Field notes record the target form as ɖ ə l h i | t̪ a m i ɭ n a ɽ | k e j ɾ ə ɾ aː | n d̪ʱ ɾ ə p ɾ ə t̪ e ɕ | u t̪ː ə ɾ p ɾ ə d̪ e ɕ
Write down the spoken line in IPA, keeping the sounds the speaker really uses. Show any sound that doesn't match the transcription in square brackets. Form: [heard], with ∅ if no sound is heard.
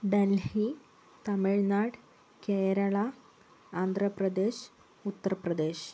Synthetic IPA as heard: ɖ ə l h i | t̪ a m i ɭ n a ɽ | k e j ɾ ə [ɭ] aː | n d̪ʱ ɾ ə p ɾ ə [d̪] e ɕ | u t̪ː ə ɾ p ɾ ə d̪ e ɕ